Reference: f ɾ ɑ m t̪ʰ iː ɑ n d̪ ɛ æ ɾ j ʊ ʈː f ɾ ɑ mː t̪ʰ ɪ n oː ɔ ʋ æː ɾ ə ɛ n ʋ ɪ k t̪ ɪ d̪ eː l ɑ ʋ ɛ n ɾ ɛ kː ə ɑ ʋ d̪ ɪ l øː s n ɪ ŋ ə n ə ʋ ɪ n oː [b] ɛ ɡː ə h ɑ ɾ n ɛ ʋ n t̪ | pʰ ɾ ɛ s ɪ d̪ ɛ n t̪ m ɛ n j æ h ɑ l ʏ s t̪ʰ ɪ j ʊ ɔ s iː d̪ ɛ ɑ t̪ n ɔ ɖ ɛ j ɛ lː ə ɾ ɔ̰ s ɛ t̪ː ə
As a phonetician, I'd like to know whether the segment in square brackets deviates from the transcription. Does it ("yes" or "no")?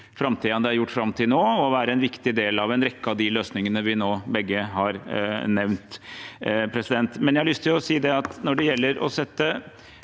no